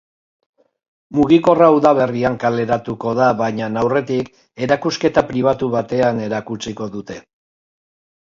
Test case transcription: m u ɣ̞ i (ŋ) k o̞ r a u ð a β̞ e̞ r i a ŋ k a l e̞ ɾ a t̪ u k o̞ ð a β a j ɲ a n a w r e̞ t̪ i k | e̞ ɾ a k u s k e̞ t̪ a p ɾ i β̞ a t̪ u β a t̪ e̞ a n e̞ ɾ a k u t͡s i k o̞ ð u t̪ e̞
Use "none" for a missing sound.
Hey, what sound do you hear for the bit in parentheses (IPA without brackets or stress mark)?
none